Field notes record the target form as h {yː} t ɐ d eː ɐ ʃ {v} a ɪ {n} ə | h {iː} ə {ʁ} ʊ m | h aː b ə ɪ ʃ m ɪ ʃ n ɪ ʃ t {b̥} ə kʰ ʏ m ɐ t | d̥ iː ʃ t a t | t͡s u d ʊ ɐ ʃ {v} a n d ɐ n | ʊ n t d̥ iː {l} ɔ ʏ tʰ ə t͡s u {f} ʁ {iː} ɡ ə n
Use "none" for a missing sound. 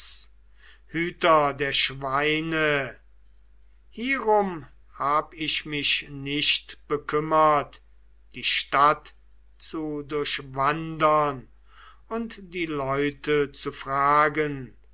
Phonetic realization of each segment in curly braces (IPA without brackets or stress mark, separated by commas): yː, v, n, iː, ʁ, b̥, v, l, f, aː